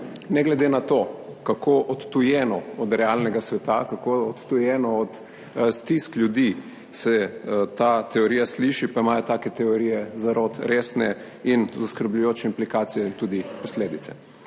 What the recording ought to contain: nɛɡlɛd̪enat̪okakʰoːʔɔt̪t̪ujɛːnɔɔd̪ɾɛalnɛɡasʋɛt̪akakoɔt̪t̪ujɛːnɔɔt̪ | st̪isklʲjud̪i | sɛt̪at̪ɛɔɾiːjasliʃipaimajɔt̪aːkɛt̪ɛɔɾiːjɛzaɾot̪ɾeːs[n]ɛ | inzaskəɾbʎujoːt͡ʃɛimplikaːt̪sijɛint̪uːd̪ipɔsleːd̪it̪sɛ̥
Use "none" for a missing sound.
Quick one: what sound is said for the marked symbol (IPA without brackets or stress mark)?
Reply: n